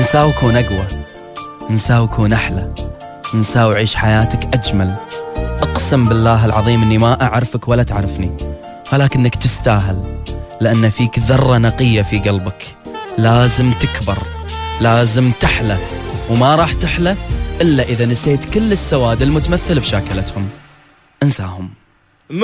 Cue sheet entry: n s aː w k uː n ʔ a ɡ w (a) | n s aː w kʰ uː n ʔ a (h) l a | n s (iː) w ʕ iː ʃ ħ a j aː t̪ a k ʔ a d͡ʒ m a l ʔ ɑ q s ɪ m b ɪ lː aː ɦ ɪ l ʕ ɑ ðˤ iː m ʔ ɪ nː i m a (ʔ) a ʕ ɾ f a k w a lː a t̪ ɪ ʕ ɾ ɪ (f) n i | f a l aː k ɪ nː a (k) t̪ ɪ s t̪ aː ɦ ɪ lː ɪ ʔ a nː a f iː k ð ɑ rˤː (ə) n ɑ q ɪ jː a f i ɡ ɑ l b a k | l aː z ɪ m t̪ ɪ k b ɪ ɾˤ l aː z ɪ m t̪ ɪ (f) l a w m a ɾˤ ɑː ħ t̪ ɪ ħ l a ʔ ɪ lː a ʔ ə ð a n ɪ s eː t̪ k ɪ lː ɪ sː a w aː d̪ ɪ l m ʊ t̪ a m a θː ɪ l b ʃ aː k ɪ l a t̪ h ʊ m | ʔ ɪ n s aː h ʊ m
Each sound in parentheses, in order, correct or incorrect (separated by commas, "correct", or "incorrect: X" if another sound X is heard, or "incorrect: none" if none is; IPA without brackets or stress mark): correct, incorrect: ħ, incorrect: aː, correct, correct, correct, incorrect: ɑ, incorrect: ħ